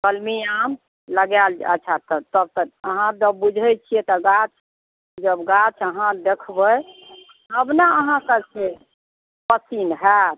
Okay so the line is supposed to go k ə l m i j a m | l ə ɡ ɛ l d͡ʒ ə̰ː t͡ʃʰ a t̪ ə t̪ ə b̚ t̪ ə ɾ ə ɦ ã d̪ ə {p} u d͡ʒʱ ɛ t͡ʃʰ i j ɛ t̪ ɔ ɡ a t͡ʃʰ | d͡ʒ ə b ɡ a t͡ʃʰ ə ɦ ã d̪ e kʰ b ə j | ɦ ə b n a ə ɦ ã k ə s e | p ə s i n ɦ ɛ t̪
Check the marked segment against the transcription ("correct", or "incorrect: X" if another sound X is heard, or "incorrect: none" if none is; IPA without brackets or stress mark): incorrect: b